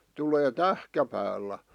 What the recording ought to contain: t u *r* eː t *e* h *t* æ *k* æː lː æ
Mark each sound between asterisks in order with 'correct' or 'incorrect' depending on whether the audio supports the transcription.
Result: incorrect: l, incorrect: æ, incorrect: k, incorrect: p

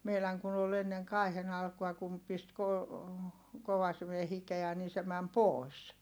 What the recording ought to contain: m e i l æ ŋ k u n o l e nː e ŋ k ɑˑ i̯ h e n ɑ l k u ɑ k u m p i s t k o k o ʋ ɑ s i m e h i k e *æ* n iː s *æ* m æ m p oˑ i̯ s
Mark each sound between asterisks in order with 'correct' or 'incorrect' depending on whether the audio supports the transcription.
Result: correct, incorrect: e

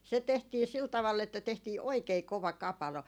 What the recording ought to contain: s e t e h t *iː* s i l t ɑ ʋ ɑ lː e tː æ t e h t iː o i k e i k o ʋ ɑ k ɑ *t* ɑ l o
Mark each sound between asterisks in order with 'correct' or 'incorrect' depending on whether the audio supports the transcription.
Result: correct, incorrect: p

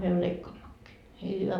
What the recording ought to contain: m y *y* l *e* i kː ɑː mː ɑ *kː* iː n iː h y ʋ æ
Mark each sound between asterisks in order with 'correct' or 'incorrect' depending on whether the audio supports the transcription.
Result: incorrect: ø, correct, correct

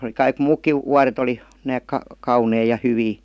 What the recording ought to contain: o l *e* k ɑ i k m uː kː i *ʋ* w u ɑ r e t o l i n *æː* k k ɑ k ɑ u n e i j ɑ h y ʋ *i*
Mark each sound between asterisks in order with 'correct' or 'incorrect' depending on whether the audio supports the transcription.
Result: incorrect: i, correct, correct, incorrect: iː

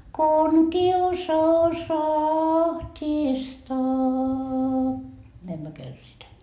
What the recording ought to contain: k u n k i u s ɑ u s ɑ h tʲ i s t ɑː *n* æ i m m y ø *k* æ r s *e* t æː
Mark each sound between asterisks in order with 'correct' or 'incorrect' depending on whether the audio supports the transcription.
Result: correct, correct, incorrect: i

